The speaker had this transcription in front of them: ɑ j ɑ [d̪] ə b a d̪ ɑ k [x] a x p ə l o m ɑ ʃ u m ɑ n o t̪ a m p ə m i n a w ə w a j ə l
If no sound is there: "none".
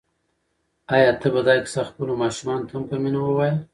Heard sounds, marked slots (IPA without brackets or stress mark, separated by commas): t̪, s